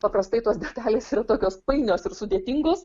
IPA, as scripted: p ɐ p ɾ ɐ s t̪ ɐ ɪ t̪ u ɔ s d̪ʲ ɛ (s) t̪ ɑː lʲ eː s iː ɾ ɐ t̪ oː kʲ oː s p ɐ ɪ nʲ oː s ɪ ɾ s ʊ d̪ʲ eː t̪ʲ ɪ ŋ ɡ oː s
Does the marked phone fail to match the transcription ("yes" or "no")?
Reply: yes